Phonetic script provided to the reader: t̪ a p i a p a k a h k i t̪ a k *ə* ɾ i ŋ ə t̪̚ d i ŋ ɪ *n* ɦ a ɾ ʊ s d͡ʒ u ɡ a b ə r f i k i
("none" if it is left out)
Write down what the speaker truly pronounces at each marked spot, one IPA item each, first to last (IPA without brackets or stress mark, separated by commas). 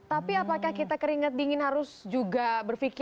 ə, n